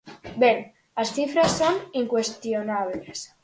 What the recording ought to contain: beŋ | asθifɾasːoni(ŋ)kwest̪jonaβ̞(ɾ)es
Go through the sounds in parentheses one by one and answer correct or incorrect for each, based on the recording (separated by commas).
correct, incorrect